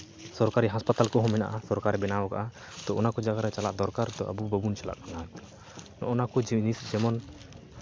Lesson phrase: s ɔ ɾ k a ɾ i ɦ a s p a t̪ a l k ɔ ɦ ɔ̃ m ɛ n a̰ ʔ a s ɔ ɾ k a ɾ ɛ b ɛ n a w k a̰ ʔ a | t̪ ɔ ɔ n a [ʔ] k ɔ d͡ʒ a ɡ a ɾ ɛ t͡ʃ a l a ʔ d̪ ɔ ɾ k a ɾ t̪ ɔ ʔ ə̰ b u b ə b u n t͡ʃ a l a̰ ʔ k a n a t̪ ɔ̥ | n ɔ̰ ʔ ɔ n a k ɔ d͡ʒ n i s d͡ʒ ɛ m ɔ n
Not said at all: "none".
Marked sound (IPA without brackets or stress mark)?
none